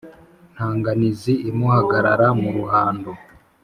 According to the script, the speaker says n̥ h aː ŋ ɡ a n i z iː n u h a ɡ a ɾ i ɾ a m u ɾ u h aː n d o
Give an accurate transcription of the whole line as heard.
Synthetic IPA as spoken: n̥ h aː ŋ ɡ a n i z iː m u h a ɡ a ɾ a ɾ a m u ɾ u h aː n d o